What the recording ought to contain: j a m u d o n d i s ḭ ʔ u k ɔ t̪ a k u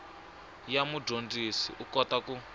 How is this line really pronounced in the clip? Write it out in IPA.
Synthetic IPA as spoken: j a m u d o n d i s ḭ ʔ u k ɔ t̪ a k u

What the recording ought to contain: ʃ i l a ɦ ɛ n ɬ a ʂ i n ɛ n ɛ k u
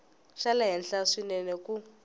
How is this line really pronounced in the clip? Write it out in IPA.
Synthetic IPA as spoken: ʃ a l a ɦ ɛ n ɬ a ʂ i n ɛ n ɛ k u

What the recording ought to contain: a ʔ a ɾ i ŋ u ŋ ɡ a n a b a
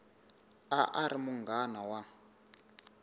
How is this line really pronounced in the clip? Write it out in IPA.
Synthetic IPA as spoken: a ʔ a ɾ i m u ŋ ɡ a n a w a

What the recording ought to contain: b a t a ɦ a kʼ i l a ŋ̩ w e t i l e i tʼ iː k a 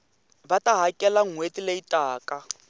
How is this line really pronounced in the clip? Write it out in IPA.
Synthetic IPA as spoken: b a t a ɦ a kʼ ɛ l a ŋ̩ w e t i l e i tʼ aː k a

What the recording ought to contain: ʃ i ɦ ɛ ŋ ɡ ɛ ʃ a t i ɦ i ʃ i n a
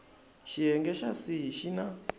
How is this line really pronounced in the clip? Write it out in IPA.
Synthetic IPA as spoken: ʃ i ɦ ɛ ŋ ɡ ɛ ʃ a s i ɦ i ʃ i n a

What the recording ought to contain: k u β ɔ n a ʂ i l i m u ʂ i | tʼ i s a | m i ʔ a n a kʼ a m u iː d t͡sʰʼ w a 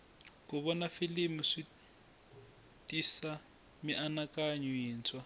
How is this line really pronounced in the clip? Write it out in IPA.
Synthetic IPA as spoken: k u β ɔ n a f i l i m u ʂ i | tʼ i s a | m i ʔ a n a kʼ a ɲ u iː n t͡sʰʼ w a

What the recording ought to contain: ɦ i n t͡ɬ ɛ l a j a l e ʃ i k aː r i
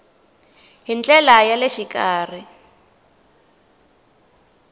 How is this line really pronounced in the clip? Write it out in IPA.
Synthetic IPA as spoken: ɦ i n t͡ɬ ɛ l a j a l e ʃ i k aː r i

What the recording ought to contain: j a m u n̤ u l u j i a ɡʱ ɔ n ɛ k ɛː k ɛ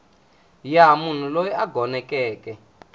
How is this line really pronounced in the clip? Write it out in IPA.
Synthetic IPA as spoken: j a m u n̤ u l o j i a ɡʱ ɔ n ɛ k ɛː k ɛ

